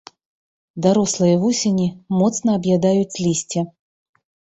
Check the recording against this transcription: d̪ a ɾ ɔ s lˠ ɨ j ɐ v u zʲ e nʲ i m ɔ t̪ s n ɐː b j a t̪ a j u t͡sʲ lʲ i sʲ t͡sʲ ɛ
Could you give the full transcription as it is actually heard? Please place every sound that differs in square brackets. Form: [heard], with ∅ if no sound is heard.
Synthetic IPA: d̪ a ɾ ɔ s lˠ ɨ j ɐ v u [sʲ] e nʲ i m ɔ t̪ s n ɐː b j a [d̪] a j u t͡sʲ lʲ i sʲ t͡sʲ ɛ